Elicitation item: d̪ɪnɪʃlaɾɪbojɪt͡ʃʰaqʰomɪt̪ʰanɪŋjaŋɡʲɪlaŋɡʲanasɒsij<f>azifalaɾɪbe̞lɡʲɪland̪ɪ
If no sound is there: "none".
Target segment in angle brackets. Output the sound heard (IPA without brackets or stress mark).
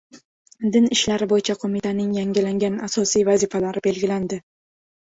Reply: v